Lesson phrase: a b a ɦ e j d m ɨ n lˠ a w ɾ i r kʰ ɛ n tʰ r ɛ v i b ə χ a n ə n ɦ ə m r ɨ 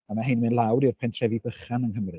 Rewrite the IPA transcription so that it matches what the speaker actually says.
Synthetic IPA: a m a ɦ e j n m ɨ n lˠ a w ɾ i r pʰ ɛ n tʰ r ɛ v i b ə χ a n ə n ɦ ə m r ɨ